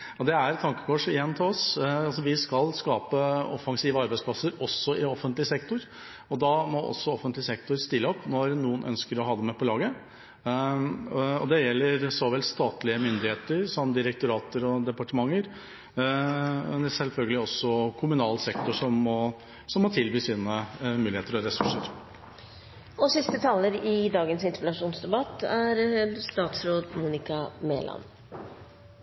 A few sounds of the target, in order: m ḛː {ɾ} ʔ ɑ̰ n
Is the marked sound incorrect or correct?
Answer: incorrect: l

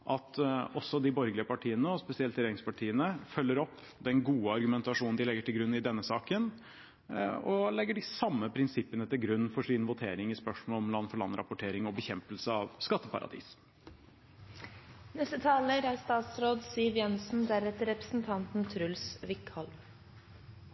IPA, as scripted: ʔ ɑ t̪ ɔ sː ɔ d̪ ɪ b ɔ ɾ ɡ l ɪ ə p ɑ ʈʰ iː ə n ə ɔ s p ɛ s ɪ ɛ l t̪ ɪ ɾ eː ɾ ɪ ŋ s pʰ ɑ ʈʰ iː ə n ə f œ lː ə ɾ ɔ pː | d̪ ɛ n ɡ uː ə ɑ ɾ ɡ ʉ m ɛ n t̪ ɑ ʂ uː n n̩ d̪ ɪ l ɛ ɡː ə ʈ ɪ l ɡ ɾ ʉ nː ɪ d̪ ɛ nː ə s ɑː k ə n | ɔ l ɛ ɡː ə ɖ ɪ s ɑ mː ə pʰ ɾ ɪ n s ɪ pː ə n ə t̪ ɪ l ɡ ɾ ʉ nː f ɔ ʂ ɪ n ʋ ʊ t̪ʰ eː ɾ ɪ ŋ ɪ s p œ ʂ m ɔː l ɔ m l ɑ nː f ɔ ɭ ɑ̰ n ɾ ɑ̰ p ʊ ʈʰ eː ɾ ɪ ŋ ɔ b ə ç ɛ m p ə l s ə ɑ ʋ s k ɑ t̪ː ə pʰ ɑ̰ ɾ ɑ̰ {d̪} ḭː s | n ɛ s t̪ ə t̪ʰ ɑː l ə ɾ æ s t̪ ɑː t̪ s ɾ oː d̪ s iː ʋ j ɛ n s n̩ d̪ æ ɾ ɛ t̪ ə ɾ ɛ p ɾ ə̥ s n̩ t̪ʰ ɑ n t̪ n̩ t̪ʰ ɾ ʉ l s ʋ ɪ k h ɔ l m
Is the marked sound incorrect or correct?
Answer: correct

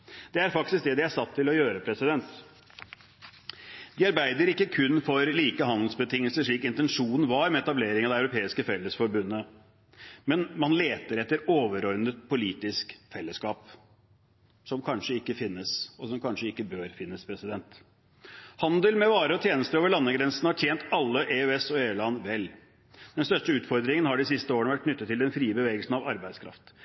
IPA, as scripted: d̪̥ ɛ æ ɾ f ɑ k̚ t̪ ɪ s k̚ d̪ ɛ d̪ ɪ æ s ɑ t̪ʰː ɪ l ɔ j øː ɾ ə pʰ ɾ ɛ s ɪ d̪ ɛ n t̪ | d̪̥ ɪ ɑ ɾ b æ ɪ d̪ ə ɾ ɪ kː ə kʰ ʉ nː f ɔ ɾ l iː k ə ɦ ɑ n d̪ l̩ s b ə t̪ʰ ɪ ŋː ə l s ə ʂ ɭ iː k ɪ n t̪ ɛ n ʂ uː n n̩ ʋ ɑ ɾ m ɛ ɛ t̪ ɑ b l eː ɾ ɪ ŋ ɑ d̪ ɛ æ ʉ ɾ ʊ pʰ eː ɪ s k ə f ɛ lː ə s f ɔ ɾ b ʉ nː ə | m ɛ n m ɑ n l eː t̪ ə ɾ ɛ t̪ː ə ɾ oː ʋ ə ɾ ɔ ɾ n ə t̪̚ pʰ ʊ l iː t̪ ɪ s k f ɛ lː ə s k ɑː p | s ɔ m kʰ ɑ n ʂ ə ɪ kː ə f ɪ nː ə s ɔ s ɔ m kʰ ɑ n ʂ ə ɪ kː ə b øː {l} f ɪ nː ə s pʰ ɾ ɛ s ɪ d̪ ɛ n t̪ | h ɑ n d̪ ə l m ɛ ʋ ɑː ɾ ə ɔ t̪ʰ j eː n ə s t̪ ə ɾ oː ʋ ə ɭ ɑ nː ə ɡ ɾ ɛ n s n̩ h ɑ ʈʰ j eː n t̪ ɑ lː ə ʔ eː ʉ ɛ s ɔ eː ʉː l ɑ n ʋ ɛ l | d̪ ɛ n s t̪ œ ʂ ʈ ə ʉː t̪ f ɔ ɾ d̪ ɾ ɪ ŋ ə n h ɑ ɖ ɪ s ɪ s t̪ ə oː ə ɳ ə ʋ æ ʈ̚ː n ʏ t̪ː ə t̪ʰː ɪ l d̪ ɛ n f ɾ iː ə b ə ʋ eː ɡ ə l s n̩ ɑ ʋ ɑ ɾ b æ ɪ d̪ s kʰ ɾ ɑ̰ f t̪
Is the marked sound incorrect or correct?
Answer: incorrect: ɾ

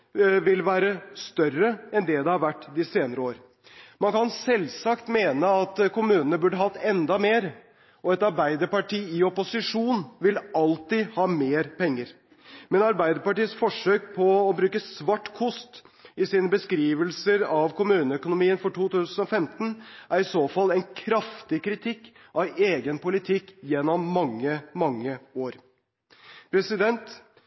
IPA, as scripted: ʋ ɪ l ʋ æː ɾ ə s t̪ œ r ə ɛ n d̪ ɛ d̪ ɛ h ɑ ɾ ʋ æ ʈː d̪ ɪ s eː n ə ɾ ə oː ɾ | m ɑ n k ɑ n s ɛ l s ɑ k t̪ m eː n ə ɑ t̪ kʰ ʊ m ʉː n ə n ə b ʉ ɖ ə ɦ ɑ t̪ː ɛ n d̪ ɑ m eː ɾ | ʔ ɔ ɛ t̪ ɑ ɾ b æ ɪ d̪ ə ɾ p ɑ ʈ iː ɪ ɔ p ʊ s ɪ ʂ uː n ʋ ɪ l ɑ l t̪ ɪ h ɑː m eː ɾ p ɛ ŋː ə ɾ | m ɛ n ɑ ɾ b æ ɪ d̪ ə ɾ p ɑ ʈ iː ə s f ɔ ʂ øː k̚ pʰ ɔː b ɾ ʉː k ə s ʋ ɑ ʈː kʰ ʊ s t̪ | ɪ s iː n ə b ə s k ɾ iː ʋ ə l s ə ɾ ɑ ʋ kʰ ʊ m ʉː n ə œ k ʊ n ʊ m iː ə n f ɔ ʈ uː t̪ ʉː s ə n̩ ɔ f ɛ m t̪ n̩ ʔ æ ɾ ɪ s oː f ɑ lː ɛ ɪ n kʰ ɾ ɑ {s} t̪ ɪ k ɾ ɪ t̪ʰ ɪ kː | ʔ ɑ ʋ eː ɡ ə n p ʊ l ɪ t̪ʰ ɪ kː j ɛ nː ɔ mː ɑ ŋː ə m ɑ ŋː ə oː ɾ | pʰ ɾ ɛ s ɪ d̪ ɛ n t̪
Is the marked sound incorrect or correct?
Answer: incorrect: f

